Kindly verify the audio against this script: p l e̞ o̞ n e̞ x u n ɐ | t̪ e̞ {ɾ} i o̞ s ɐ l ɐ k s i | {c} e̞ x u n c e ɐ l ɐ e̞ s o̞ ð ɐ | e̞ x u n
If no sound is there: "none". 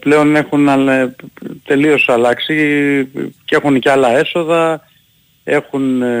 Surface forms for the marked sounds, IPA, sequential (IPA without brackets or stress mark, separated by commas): l, c